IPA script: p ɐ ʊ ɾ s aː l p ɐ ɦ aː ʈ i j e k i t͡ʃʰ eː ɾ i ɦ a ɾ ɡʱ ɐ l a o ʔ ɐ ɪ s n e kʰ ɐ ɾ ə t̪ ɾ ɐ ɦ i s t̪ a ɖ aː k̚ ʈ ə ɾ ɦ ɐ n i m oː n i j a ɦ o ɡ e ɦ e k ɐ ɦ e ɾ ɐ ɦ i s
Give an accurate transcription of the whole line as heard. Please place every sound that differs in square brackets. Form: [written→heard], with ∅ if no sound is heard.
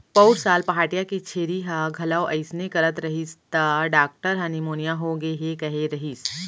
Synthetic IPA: p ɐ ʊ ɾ s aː l p ɐ ɦ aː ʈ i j [e→a] k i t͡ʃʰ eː ɾ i ɦ a [ɾ→∅] ɡʱ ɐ l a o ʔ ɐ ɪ s n e [kʰ→k] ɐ ɾ ə t̪ ɾ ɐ ɦ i s t̪ a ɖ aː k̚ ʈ ə ɾ ɦ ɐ n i m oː n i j a ɦ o ɡ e ɦ e k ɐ ɦ e ɾ ɐ ɦ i s

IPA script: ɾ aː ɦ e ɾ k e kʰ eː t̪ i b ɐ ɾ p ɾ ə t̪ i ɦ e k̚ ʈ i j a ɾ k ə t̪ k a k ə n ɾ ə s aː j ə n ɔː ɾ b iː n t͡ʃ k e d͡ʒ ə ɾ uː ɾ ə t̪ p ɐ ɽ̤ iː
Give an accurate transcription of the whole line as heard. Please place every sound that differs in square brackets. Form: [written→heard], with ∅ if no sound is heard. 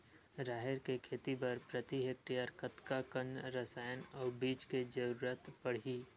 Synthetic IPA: ɾ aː ɦ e ɾ k e kʰ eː t̪ i b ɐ ɾ p ɾ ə t̪ i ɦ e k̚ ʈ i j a ɾ k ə t̪ k a k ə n ɾ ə s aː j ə n ɔː ɾ b iː [n→∅] t͡ʃ k e d͡ʒ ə ɾ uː ɾ ə t̪ p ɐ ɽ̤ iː

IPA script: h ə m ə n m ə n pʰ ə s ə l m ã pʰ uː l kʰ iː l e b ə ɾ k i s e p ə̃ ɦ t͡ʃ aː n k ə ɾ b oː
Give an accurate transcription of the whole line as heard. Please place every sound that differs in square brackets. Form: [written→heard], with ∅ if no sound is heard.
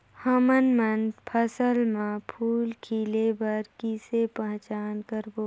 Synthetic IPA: h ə m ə n m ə n pʰ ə s ə l m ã pʰ uː l kʰ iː l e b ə ɾ k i s e p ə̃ ɦ t͡ʃ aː n k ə ɾ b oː

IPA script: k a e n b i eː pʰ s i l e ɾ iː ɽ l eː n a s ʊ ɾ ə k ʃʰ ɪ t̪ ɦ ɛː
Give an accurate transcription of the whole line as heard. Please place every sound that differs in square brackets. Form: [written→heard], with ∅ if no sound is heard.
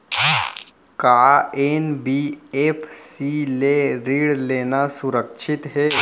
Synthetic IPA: k a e n b i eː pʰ s i l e ɾ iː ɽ l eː n a s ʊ ɾ ə k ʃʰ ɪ t̪ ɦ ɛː

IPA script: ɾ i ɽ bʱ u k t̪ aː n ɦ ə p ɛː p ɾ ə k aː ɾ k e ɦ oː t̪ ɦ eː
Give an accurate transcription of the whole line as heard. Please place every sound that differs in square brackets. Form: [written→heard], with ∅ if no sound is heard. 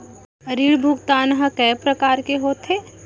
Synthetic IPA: ɾ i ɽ bʱ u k t̪ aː n ɦ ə [p→k] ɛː p ɾ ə k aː ɾ k e ɦ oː t̪ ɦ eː

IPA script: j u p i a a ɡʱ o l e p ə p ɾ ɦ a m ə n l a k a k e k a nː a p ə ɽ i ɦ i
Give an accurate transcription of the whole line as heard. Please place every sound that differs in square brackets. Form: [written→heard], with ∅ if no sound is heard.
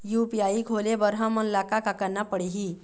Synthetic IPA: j u p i a [a→i] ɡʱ o l e [p→b] ə [p→∅] ɾ ɦ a m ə n l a k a k [e→a] k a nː a p ə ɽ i ɦ i

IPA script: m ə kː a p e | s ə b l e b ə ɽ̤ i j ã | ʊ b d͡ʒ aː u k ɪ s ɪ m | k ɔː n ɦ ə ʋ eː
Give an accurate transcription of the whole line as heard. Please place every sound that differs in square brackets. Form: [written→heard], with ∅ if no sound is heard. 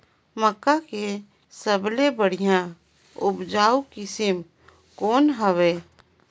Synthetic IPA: m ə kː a [p→k] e | s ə b l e b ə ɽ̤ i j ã | ʊ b d͡ʒ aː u k ɪ s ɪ m | k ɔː n ɦ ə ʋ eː

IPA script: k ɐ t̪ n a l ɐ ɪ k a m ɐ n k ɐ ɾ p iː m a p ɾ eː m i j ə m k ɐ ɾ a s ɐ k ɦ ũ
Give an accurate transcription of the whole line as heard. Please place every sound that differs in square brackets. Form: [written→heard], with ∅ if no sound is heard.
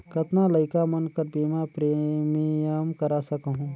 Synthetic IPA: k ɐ t̪ n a l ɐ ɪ k a m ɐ n k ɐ ɾ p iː m a p ɾ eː m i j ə m k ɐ ɾ a s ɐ k ɦ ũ

